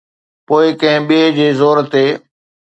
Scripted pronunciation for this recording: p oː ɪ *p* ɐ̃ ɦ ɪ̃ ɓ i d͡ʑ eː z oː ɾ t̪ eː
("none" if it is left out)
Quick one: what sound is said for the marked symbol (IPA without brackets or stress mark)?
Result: k